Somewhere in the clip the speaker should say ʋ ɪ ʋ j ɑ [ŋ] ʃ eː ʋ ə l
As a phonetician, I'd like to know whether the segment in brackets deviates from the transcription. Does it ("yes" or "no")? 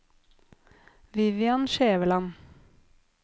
yes